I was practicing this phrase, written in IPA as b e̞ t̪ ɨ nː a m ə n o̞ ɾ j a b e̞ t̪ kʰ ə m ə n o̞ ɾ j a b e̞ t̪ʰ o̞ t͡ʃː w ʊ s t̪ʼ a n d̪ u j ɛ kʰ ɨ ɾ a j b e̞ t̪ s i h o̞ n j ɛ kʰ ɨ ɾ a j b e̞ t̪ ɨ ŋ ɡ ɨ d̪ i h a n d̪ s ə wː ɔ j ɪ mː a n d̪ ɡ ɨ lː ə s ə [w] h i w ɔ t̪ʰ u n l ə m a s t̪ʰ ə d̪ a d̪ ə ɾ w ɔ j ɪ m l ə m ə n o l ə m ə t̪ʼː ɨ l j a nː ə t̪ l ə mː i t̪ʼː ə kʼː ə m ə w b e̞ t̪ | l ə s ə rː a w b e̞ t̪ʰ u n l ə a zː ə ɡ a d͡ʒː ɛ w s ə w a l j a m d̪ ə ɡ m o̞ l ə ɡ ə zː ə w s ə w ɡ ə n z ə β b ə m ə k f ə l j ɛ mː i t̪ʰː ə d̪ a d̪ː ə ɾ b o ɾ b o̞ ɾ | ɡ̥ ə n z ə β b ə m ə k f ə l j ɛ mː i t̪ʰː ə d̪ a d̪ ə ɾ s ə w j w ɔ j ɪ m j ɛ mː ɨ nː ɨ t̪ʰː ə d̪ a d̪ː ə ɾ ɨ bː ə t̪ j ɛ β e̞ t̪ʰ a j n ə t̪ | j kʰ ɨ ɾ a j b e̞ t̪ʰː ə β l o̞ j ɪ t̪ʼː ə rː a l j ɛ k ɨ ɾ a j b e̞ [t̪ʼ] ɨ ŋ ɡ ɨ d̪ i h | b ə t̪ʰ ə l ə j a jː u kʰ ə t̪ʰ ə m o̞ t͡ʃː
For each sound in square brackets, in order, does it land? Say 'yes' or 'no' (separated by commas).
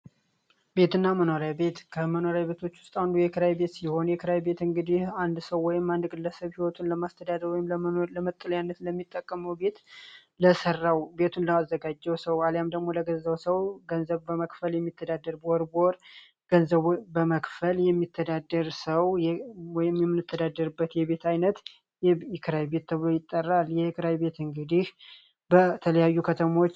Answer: no, no